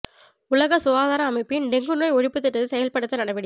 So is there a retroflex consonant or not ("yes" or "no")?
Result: yes